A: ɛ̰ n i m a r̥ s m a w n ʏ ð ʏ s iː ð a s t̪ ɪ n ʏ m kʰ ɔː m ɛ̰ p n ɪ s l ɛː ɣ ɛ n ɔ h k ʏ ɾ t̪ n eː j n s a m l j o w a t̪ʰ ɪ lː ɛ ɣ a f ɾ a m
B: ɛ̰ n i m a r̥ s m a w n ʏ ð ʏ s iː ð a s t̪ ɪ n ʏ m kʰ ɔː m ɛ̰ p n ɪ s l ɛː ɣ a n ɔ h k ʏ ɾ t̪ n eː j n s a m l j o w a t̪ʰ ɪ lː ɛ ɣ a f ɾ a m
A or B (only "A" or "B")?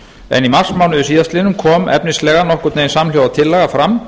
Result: B